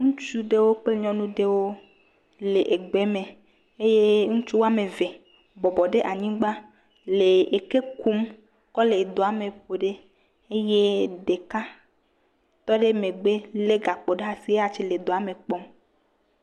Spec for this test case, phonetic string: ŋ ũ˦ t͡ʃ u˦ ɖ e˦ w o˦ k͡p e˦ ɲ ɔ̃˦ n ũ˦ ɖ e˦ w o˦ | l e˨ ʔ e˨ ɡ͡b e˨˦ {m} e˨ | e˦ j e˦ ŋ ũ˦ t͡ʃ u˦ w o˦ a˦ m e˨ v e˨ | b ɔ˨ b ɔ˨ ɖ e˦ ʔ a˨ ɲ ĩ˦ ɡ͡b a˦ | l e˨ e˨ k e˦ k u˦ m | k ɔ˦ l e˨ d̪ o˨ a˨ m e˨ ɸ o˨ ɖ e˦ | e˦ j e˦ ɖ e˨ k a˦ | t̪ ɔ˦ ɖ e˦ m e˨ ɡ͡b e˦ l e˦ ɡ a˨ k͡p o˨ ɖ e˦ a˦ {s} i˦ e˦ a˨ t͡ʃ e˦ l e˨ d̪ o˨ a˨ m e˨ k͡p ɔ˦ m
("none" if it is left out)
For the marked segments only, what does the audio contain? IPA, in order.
m, s

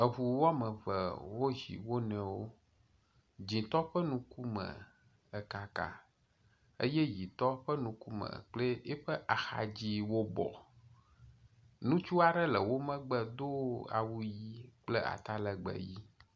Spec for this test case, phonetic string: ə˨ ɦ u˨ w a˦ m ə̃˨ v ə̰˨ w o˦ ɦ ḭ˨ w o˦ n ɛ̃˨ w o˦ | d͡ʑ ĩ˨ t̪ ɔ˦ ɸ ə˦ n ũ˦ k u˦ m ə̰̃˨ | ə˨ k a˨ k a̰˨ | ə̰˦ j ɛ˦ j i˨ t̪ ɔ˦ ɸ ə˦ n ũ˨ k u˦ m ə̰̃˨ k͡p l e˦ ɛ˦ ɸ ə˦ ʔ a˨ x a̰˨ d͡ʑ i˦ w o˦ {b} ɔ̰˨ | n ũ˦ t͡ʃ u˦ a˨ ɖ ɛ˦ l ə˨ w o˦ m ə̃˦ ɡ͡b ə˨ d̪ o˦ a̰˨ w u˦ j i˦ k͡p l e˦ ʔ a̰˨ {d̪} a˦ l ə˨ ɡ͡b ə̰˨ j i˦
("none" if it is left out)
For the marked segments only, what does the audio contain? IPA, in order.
b, t̪

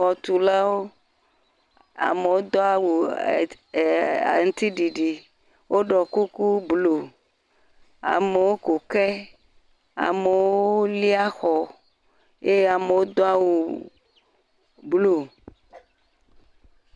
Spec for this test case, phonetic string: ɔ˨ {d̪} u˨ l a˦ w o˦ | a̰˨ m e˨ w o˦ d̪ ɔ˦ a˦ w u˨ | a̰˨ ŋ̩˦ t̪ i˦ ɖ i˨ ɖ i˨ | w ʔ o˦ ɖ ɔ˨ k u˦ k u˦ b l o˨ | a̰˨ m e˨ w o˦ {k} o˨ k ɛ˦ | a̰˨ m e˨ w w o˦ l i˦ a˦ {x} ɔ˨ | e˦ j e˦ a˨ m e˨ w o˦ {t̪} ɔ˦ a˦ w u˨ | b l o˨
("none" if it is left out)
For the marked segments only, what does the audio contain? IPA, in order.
t̪, k, x, d̪

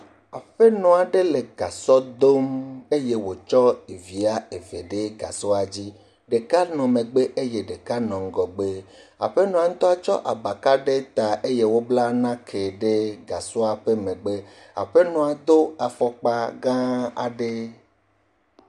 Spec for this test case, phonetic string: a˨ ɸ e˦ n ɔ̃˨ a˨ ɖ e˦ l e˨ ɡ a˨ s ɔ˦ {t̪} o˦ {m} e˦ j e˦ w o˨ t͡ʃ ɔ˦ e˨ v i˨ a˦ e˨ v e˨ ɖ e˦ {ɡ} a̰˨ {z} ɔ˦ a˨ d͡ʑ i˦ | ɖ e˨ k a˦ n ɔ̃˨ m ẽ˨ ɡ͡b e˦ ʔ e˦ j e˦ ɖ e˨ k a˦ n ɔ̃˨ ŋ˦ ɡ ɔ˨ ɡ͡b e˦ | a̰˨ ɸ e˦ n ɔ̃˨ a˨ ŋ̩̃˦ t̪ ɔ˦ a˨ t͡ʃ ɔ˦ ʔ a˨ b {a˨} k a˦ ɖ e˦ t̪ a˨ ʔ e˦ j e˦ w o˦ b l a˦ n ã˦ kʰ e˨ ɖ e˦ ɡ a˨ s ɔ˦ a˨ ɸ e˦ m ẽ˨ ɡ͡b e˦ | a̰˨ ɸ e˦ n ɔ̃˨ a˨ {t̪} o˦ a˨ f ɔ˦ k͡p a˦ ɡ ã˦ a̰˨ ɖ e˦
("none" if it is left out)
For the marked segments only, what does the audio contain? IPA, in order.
d̪, m, ɡ, s, a˨, d̪

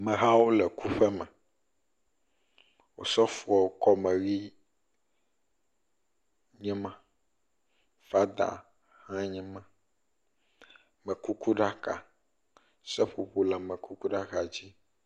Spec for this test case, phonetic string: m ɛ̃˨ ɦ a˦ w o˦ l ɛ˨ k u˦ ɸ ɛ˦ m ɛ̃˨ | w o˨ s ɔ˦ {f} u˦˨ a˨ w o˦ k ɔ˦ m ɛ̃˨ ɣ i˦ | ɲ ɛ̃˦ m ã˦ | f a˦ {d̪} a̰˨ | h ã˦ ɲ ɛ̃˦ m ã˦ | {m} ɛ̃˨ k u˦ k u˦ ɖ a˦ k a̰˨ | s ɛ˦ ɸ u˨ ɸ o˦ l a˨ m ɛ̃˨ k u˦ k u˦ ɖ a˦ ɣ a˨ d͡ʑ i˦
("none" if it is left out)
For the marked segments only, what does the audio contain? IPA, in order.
f, d̪, m

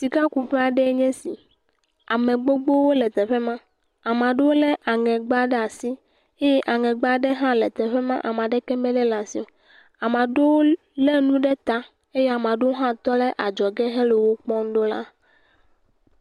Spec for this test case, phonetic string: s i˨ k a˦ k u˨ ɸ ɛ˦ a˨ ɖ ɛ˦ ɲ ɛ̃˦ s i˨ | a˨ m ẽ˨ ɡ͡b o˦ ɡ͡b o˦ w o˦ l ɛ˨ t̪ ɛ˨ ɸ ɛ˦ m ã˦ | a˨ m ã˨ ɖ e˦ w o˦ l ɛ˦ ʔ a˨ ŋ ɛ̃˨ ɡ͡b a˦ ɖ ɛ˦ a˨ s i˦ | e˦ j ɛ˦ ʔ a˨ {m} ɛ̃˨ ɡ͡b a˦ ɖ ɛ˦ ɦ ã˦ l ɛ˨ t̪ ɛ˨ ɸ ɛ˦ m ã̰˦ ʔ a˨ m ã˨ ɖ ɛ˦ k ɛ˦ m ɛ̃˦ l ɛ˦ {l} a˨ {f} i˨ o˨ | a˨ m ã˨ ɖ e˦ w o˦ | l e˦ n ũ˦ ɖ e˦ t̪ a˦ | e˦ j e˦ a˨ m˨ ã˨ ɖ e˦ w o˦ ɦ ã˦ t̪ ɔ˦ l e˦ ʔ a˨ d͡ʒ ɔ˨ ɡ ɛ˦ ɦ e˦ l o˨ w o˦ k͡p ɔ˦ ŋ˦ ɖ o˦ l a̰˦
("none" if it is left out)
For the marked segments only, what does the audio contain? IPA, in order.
ŋ, l, s

